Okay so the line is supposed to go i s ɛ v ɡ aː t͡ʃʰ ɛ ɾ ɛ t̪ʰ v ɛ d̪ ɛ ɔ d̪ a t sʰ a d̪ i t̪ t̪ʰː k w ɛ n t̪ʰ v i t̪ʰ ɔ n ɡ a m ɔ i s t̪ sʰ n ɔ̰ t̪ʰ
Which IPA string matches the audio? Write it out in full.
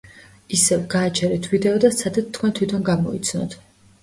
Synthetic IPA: i s ɛ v ɡ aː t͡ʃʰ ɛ ɾ ɛ t̪ʰ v i d̪ ɛ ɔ d̪ a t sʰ a d̪ a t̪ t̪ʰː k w ɛ n t̪ʰ w i t̪ʰ ɔ n ɡ a m ɔ i t̪ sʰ n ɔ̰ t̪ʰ